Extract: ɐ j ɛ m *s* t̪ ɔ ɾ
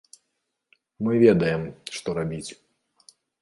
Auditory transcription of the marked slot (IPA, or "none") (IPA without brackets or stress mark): ʂ